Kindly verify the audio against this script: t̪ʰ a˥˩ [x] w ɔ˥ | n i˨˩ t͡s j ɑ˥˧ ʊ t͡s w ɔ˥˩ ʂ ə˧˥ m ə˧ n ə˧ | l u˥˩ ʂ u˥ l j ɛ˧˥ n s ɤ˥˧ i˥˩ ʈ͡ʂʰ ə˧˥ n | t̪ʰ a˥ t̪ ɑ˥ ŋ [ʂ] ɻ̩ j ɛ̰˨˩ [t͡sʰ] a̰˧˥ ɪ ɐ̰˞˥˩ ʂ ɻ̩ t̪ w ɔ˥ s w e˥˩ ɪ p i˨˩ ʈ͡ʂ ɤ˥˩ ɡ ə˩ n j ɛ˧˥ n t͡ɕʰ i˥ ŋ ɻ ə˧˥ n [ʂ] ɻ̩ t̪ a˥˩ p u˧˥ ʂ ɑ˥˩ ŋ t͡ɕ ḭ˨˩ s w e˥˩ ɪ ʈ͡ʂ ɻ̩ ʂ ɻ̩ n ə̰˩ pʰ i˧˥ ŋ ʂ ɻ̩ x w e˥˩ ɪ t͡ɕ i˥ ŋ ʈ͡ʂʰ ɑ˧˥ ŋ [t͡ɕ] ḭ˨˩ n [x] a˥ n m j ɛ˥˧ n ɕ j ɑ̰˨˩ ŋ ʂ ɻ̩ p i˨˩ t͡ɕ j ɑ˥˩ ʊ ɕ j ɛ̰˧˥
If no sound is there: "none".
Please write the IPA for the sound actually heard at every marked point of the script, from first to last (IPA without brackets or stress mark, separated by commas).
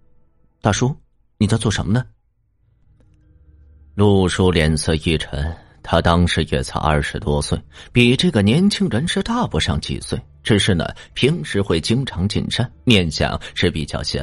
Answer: ʂ, ʂ, t͡sʰ, ʂ, t͡ɕ, ʂ